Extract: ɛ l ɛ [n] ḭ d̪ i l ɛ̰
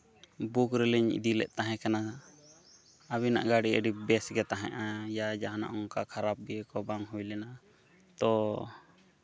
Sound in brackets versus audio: incorrect: ɲ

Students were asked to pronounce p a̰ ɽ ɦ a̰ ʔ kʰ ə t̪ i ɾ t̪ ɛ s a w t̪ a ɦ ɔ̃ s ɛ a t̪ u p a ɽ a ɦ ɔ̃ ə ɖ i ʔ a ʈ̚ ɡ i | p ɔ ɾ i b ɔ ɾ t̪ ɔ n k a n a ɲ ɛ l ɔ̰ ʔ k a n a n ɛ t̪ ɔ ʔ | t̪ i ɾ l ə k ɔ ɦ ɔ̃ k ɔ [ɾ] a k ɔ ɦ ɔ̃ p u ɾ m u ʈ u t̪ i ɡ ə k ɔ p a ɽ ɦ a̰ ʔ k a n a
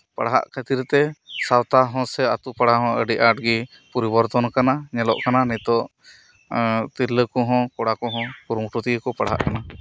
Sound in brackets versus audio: incorrect: ɽ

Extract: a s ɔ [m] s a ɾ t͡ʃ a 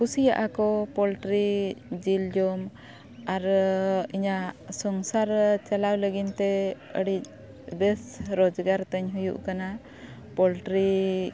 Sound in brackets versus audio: incorrect: ŋ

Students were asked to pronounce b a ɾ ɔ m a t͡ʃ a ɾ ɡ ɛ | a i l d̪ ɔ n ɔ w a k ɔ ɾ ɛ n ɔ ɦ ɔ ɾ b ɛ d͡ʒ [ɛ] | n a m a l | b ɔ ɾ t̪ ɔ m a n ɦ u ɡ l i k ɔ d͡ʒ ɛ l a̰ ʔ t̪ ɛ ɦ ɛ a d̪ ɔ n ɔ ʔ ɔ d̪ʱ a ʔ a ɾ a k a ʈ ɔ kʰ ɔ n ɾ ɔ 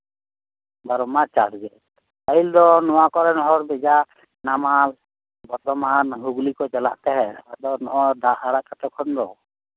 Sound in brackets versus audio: incorrect: a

